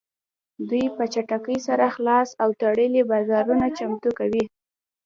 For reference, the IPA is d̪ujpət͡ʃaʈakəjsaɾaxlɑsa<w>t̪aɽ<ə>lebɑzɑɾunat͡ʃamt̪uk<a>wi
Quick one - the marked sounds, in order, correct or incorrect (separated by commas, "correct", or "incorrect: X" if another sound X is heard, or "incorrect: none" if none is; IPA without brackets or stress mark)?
correct, correct, correct